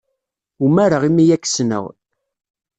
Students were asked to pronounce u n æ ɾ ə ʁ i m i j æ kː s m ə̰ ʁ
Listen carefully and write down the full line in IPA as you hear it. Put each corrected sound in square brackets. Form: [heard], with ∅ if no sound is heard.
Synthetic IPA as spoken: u [m] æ ɾ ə ʁ i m i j æ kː s [n] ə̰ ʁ